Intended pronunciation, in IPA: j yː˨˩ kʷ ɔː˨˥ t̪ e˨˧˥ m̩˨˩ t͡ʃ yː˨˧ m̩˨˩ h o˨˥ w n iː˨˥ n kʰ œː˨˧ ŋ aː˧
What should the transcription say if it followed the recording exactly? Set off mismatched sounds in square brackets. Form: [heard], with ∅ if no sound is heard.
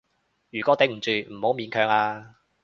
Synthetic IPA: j yː˨˩ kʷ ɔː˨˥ t̪ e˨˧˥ m̩˨˩ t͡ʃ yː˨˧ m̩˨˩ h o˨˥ w [m] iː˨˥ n kʰ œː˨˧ ŋ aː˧